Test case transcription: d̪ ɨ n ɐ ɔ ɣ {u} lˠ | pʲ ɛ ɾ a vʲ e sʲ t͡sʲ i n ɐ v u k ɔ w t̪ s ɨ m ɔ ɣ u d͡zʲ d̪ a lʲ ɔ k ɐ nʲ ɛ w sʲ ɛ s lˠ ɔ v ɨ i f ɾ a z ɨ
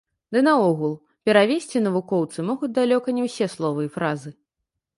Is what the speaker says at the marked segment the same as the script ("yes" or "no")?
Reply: yes